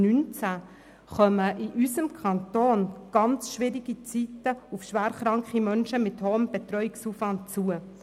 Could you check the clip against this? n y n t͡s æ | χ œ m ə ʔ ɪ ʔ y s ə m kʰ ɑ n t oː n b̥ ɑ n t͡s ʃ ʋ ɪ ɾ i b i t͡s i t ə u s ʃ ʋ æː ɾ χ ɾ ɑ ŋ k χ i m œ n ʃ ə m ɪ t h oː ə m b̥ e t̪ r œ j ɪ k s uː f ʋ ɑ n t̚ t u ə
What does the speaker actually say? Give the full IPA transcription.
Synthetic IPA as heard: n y n t͡s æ | χ œ m ə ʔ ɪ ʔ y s ə m kʰ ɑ n t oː n ɡ̥ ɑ n t͡s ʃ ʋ ɪ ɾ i ɡ i t͡s i t ə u f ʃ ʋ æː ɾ χ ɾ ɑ ŋ k χ i m œ n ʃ ə m ɪ t h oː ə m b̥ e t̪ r œ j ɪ k s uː f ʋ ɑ n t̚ t͡s u ə